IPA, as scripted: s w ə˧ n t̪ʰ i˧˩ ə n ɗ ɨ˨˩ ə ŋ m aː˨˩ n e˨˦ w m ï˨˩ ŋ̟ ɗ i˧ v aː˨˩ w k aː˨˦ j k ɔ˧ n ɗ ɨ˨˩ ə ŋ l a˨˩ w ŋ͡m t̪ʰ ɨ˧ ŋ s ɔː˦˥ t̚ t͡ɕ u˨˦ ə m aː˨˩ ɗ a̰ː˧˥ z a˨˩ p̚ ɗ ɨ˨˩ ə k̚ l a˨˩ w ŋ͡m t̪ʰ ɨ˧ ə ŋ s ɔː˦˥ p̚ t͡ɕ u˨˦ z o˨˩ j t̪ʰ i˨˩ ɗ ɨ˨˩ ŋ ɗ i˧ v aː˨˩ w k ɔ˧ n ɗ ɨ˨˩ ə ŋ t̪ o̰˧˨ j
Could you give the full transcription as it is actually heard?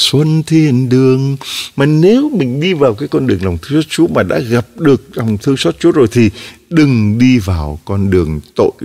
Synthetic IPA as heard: s w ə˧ n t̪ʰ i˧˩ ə n ɗ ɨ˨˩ ə ŋ m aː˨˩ n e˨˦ w m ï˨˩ ŋ̟ ɗ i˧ v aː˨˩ w k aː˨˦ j k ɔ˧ n ɗ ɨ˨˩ ə ŋ l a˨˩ w ŋ͡m t̪ʰ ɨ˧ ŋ s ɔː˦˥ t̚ t͡ɕ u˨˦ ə m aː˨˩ ɗ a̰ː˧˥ ɣ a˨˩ p̚ ɗ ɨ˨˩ ə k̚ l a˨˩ w ŋ͡m t̪ʰ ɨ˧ ə ŋ s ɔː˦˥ t̚ t͡ɕ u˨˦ z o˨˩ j t̪ʰ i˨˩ ɗ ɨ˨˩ ŋ ɗ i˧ v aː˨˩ w k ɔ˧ n ɗ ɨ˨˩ ə ŋ t̪ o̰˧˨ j